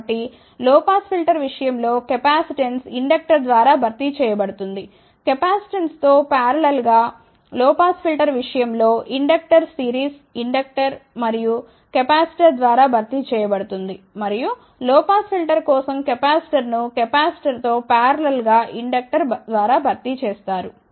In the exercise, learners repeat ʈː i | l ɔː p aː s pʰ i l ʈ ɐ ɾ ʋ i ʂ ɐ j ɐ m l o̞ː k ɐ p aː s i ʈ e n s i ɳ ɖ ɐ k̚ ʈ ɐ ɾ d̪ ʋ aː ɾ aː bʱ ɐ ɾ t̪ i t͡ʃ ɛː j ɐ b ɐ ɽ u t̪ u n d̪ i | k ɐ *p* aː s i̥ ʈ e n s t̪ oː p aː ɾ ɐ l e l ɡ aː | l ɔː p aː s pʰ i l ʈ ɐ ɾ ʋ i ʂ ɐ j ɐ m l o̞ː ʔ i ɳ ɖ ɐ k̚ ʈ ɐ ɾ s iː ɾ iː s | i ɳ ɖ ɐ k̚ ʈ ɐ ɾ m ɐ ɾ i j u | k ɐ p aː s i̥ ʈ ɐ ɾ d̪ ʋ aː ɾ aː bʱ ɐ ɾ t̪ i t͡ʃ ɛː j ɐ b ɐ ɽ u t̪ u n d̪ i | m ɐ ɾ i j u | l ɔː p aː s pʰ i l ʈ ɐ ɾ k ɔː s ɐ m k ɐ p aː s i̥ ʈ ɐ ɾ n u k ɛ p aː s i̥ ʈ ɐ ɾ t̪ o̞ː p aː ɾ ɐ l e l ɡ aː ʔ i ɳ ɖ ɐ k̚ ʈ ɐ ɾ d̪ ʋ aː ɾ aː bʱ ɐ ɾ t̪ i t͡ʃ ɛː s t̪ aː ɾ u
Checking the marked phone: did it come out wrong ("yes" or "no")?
no